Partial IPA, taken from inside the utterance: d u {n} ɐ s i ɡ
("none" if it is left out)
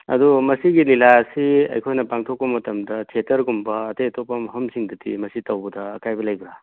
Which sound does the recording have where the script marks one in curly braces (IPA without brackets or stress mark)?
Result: m